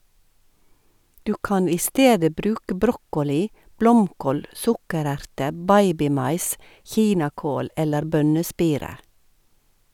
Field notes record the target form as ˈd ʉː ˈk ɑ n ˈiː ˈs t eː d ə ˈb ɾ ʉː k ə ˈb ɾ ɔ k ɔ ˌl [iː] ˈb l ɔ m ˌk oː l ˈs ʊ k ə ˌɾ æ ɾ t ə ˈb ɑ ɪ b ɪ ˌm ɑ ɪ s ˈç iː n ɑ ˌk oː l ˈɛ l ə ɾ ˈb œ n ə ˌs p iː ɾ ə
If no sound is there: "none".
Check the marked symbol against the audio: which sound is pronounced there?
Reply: iː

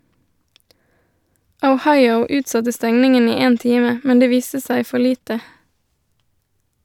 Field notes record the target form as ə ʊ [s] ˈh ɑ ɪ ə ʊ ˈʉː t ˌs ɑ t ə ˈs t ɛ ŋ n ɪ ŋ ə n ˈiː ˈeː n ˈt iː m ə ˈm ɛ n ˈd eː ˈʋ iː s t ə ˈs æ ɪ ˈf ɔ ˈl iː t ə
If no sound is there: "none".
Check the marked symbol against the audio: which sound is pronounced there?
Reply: none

